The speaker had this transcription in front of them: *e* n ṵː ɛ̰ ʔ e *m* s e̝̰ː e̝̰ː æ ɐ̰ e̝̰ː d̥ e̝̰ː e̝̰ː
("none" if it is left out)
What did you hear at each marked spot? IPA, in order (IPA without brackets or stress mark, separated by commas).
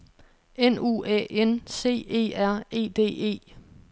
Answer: e, n